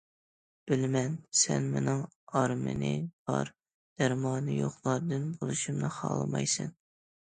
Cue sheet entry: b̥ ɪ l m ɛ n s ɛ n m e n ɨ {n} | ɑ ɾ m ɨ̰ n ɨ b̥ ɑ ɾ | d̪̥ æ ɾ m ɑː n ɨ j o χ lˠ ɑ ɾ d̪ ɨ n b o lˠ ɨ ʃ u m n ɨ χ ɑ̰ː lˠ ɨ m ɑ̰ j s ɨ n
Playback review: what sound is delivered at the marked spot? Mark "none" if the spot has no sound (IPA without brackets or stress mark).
ŋ